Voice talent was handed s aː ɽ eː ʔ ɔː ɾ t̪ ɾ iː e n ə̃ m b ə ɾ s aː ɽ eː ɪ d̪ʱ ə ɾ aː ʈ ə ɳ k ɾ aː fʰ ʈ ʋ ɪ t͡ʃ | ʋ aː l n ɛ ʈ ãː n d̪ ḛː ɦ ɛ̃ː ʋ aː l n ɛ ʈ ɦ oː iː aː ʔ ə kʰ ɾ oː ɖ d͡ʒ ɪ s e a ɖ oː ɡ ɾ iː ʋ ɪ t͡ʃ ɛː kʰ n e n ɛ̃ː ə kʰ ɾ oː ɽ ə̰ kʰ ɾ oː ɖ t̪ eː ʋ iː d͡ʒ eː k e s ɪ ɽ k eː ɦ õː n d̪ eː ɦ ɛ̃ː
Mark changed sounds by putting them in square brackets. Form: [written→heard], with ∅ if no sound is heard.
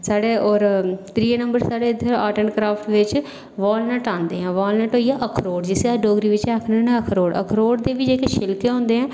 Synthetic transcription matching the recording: s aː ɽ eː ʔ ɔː ɾ t̪ ɾ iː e n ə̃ m b ə ɾ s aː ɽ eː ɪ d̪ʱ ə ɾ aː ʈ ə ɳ k ɾ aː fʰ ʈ ʋ ɪ t͡ʃ | ʋ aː l n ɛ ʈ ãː n d̪ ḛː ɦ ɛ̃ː ʋ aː l n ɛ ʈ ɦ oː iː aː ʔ ə kʰ ɾ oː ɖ d͡ʒ ɪ s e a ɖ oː ɡ ɾ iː ʋ ɪ t͡ʃ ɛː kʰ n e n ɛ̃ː ə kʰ ɾ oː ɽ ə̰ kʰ ɾ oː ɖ [t̪→d̪] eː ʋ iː d͡ʒ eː k e [s→ʃ] ɪ [ɽ→l] k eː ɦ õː n d̪ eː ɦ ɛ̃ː